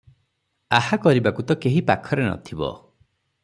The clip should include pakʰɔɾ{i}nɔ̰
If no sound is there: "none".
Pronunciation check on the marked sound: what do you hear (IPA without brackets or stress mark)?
e